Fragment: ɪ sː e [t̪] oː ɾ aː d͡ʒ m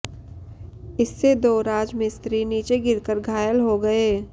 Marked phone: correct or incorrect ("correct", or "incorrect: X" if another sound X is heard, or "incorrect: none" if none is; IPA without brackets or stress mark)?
incorrect: d̪